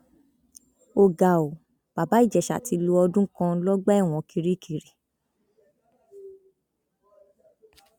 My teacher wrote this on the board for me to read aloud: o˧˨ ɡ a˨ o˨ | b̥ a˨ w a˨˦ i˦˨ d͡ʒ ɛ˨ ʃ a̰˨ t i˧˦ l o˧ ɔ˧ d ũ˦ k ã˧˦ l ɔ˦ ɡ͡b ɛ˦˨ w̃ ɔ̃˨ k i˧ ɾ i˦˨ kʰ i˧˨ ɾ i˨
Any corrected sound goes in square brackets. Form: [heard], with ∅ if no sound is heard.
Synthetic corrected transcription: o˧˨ ɡ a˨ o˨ | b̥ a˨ [b] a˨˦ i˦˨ d͡ʒ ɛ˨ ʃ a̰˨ t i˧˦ l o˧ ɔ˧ d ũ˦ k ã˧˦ l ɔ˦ ɡ͡b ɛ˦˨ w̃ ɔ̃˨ k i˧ ɾ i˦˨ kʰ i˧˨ ɾ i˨